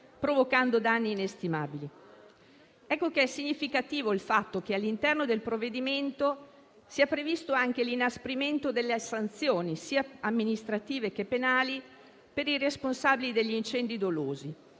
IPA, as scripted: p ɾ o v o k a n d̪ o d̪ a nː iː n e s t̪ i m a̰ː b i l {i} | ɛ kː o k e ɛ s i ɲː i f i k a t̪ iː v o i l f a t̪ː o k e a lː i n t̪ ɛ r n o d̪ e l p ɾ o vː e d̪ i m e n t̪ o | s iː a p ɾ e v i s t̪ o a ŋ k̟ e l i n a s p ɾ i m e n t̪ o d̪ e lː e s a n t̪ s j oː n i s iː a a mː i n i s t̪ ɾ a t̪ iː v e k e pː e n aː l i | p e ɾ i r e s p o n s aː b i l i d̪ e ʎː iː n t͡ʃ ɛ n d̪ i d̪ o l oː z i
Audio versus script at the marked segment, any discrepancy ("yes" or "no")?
no